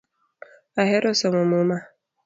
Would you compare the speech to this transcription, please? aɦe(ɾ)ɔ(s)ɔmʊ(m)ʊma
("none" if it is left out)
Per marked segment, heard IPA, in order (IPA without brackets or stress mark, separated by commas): ɾ, s, m